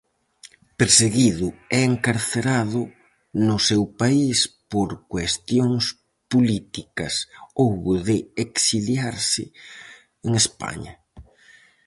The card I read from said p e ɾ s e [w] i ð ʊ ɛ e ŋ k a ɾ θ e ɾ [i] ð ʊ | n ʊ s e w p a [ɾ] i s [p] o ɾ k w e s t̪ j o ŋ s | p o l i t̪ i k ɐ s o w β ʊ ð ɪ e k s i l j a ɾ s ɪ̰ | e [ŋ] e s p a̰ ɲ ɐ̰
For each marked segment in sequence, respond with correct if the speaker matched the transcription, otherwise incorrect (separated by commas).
incorrect, incorrect, incorrect, correct, correct